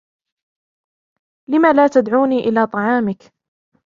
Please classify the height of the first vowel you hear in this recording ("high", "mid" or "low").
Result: high